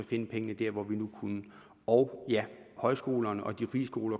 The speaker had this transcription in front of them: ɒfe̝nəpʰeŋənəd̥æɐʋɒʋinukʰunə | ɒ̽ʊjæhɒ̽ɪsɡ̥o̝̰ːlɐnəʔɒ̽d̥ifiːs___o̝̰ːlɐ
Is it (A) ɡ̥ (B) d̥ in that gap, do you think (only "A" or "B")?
A